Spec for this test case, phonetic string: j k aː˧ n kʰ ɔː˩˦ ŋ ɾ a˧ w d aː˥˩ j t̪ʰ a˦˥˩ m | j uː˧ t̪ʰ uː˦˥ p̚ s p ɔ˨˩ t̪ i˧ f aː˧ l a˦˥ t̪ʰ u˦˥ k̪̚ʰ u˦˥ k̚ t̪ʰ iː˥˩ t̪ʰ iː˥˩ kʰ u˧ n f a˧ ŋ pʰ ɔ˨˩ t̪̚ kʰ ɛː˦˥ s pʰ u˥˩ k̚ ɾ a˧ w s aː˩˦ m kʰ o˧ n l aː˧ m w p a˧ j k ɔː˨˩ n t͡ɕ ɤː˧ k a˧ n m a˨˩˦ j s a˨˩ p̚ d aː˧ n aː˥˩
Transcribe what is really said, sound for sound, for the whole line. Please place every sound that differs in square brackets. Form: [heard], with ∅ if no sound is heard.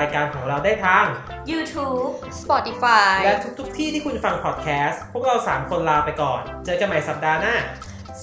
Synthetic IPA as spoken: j k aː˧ n kʰ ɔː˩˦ ŋ ɾ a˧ w d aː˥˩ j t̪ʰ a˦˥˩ [ŋ] | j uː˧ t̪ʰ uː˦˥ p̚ s p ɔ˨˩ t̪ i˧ f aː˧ l [ɛ˦˥] t̪ʰ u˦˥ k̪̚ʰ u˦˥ k̚ t̪ʰ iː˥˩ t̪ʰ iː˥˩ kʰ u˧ n f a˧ ŋ pʰ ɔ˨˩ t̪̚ kʰ ɛː˦˥ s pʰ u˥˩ k̚ ɾ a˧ w s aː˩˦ m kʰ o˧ n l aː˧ [∅] w p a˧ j k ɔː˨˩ n t͡ɕ ɤː˧ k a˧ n m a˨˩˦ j s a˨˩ p̚ d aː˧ n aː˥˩